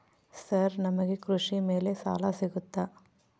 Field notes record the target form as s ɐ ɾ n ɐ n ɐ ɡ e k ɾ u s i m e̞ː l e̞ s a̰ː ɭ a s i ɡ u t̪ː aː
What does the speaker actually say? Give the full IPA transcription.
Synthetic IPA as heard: s ɐ ɾ n ɐ m ɐ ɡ e k ɾ u ʂ i m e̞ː l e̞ s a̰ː l a s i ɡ u t̪ː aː